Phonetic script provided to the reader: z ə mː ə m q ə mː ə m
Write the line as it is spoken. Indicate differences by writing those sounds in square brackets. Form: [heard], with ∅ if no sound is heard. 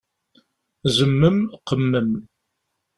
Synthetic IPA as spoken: z ə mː ə m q ə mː ə m